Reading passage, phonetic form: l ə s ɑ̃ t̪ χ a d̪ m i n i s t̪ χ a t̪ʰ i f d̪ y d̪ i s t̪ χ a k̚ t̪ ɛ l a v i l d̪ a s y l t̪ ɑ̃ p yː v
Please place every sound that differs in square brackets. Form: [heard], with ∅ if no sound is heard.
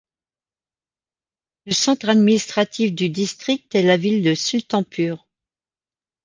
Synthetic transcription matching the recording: l ə s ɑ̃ t̪ χ a d̪ m i n i s t̪ χ a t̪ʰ i f d̪ y d̪ i s t̪ χ [i] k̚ t̪ ɛ l a v i l d̪ [ə] s y l t̪ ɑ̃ p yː [ʁ]